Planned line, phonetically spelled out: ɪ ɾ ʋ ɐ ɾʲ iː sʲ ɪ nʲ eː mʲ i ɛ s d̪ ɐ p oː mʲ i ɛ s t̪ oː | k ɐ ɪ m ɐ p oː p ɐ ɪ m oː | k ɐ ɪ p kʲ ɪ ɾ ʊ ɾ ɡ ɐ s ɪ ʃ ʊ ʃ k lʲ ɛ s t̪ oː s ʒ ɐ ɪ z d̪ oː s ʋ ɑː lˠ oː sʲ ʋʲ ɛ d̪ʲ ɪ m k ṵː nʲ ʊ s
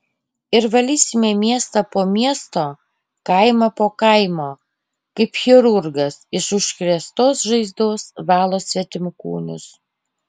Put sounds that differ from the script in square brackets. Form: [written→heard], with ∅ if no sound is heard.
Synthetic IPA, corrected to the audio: ɪ ɾ ʋ ɐ [ɾʲ→lʲ] iː sʲ ɪ [nʲ→mʲ] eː mʲ i ɛ s [d̪→t̪] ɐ p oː mʲ i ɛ s t̪ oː | k ɐ ɪ m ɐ p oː [p→k] ɐ ɪ m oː | k ɐ ɪ p [kʲ→xʲ] ɪ ɾ ʊ ɾ ɡ ɐ s ɪ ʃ ʊ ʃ k [lʲ→ɾʲ] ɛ s t̪ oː s ʒ ɐ ɪ z d̪ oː s ʋ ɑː lˠ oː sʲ ʋʲ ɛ [d̪ʲ→t̪ʲ] ɪ m k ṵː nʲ ʊ s